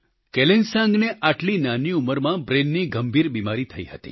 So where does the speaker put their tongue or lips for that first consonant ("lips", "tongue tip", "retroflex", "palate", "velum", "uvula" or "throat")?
velum